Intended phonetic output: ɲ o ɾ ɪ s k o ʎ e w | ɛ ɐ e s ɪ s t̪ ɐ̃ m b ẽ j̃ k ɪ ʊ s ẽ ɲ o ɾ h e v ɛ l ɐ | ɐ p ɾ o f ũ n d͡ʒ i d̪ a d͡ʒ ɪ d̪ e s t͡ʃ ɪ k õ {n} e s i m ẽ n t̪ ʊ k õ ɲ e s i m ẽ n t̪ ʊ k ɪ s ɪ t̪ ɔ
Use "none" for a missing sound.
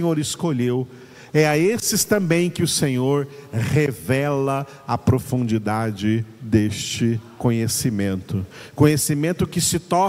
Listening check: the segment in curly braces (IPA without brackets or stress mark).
ɲ